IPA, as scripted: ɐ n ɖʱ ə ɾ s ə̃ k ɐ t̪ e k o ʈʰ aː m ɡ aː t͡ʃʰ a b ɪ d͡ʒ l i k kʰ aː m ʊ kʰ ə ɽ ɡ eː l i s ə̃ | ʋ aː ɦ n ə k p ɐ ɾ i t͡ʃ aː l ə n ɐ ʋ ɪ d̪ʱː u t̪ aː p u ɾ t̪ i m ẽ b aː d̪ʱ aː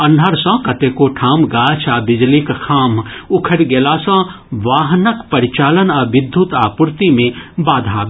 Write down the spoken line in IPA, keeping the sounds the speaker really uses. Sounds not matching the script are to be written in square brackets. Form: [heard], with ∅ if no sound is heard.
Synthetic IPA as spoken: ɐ n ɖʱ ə ɾ s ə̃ k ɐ t̪ e k o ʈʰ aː m ɡ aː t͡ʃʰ a b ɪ d͡ʒ l i k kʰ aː m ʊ kʰ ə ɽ ɡ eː l [a] s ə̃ | ʋ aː ɦ n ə k p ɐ ɾ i t͡ʃ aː l ə n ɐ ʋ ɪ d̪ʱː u t̪ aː p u ɾ t̪ i m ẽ b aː d̪ʱ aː